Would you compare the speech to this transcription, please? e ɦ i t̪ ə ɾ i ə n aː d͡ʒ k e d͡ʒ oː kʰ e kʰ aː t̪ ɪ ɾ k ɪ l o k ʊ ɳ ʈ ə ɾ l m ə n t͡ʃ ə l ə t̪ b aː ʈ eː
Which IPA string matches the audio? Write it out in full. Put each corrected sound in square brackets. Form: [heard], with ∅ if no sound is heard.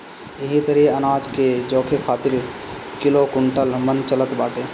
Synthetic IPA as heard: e ɦ i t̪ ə ɾ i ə n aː d͡ʒ k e d͡ʒ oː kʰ e kʰ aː t̪ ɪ ɾ k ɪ l o k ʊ ɳ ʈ ə [∅] l m ə n t͡ʃ ə l ə t̪ b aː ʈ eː